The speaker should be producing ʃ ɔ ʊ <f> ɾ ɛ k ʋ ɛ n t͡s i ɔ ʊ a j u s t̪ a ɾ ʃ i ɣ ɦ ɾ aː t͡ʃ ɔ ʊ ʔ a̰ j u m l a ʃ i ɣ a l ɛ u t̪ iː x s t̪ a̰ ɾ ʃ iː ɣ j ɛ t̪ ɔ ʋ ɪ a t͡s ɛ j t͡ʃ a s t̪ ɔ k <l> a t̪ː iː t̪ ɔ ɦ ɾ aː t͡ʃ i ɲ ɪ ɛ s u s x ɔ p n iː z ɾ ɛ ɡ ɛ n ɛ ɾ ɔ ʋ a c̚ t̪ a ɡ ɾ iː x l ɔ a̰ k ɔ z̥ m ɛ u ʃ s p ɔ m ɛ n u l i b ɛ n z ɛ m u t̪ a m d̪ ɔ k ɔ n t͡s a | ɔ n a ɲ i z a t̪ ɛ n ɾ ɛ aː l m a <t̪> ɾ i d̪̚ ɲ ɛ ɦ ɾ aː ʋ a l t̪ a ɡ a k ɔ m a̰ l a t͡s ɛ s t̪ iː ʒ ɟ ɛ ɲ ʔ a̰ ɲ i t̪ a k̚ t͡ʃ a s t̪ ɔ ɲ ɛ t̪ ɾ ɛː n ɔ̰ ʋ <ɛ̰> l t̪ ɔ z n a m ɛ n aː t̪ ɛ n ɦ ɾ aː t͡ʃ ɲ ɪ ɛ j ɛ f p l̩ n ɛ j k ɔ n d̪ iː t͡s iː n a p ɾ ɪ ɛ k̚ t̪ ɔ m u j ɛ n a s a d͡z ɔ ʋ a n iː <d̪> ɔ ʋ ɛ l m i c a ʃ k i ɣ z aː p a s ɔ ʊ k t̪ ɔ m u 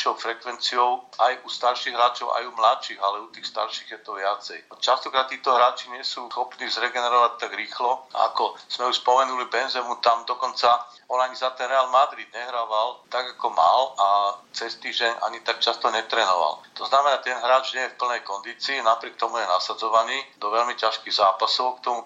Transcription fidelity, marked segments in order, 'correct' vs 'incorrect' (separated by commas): correct, incorrect, incorrect, incorrect, correct